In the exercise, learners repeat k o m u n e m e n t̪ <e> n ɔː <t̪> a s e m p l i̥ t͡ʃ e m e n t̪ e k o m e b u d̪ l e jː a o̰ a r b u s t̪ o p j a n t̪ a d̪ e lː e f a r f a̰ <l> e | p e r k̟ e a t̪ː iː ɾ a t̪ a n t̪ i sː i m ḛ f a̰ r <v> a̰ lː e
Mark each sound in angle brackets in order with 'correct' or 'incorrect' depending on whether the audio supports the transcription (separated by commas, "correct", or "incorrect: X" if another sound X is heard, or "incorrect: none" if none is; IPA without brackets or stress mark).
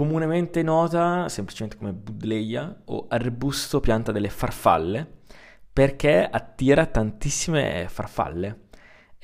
correct, correct, incorrect: lː, incorrect: f